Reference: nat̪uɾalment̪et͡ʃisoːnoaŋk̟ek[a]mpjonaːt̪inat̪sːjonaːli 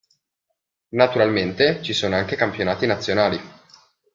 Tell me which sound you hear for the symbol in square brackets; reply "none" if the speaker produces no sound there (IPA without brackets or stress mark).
a